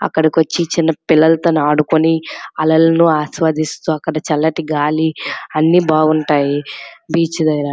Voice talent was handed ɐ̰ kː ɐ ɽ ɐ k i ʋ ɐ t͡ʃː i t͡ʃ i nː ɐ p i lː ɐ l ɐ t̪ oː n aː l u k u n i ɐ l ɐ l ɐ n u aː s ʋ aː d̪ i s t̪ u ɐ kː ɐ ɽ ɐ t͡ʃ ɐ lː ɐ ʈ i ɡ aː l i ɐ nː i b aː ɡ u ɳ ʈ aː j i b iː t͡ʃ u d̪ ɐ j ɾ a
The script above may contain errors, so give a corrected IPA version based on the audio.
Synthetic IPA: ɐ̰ kː ɐ ɽ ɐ k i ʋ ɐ t͡ʃː i t͡ʃ i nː ɐ p i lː ɐ l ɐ t̪ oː n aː ɽ u k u n i ɐ l ɐ l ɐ n u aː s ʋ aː d̪ i s t̪ u ɐ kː ɐ ɽ ɐ t͡ʃ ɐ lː ɐ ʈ i ɡ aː l i ɐ nː i b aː ɡ u ɳ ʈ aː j i b iː t͡ʃ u d̪ ɐ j ɾ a

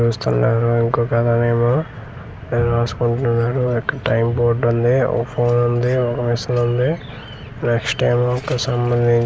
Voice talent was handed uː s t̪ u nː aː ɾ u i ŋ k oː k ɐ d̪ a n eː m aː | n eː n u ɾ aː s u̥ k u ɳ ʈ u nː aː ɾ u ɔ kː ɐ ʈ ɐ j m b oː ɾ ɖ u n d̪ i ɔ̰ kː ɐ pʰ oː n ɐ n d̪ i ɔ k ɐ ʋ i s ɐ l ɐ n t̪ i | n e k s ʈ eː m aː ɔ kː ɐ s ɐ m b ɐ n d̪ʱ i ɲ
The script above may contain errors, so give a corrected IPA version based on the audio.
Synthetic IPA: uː s t̪ u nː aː ɾ u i ŋ k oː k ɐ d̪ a n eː m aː | n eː n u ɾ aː s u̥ k u ɳ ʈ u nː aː ɾ u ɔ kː ɐ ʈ ɐ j m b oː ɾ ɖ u n d̪ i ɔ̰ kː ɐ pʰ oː n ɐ n d̪ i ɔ k ɐ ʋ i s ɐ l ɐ n d̪ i | n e k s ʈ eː m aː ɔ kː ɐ s ɐ m b ɐ n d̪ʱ i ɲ

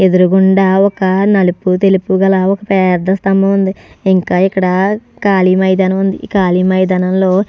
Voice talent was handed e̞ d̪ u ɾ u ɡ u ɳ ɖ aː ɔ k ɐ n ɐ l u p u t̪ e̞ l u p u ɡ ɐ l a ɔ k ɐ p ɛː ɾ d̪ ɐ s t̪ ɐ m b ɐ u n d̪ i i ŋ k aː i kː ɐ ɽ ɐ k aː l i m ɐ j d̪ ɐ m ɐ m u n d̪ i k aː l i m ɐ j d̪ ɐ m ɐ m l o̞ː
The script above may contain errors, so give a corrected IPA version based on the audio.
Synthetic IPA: e̞ d̪ u ɾ u ɡ u ɳ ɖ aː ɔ k ɐ n ɐ l u p u t̪ e̞ l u p u ɡ ɐ l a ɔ k ɐ p ɛː ɾ d̪ ɐ s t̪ ɐ m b ɐ u n d̪ i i ŋ k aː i kː ɐ ɽ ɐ k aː l i m ɐ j d̪ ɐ n ɐ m u n d̪ i k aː l i m ɐ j d̪ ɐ n ɐ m l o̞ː

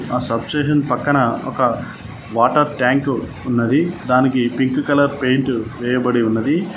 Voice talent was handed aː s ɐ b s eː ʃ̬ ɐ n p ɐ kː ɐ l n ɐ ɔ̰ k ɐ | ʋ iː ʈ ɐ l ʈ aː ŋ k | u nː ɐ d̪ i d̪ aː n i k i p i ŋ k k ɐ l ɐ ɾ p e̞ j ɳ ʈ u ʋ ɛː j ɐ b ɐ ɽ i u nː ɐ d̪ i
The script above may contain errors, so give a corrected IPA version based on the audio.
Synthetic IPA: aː s ɐ b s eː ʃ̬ ɐ n p ɐ kː ɐ n ɐ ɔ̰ k ɐ | ʋ aː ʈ ɐ ɾ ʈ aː ŋ k | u nː ɐ d̪ i d̪ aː n i k i p i ŋ k k ɐ l ɐ ɾ p e̞ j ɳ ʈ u ʋ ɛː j ɐ b ɐ ɽ i u nː ɐ d̪ i

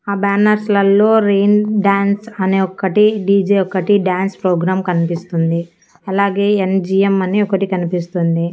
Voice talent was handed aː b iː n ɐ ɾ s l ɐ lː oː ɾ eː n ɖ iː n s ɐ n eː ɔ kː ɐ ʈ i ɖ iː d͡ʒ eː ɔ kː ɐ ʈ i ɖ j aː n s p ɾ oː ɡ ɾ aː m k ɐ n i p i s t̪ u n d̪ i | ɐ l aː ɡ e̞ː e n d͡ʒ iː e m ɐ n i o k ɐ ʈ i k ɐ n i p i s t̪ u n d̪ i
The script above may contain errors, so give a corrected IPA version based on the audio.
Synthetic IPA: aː b aː n ɐ ɾ s l ɐ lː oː ɾ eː n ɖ aː n s ɐ n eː ɔ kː ɐ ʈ i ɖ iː d͡ʒ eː ɔ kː ɐ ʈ i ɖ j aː n s p ɾ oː ɡ ɾ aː m k ɐ n i p i s t̪ u n d̪ i | ɐ l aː ɡ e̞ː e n d͡ʒ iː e m ɐ n i ɔ k ɐ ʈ i k ɐ n i p i s t̪ u n d̪ i

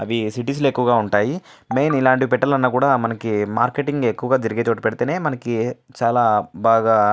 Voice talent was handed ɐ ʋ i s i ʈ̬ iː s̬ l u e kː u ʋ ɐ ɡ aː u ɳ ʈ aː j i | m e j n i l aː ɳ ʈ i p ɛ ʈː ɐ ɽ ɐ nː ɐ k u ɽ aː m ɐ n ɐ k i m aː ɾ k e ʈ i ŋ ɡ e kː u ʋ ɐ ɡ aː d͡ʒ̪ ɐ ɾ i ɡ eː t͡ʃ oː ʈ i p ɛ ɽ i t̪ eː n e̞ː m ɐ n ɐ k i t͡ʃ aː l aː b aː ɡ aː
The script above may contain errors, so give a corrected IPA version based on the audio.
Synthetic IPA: ɐ ʋ i s i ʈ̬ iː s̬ l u e kː u ʋ ɐ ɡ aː u ɳ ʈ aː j i | m e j n i l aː ɳ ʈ i p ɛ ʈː ɐ l ɐ nː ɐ k uː ɽ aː m ɐ n ɐ k i m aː ɾ k e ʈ i ŋ ɡ e kː u ʋ ɐ ɡ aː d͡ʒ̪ ɐ ɾ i ɡ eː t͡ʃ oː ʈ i p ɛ ɽ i t̪ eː n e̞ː m ɐ n ɐ k i t͡ʃ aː l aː b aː ɡ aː

